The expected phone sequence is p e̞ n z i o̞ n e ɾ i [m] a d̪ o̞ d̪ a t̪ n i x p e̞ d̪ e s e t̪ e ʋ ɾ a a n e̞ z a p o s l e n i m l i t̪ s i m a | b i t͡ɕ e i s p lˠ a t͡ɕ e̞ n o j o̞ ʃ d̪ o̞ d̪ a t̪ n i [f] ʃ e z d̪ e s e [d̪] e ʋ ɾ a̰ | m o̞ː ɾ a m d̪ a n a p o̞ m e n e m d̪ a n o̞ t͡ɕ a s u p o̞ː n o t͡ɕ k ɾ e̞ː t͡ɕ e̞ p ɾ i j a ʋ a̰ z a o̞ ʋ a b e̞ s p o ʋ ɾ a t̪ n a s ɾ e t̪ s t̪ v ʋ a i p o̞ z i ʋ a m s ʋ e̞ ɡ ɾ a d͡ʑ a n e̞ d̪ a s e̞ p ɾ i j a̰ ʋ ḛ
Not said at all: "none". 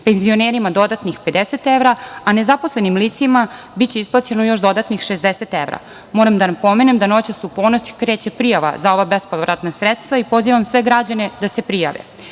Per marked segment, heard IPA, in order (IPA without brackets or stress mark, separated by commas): m, x, t̪